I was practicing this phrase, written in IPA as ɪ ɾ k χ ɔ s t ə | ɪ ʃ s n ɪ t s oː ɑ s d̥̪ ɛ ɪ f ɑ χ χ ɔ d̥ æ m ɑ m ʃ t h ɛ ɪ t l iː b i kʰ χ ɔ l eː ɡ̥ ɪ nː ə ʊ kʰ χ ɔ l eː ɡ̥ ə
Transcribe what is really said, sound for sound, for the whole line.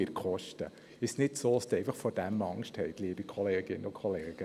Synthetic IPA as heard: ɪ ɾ k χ ɔ ʃ t ə | ɪ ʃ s n ɪ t s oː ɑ s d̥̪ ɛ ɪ f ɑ χ f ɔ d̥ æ m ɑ ŋ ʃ t h ɛ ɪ t l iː b i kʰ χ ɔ l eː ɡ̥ ɪ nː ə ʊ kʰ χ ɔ l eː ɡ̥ ə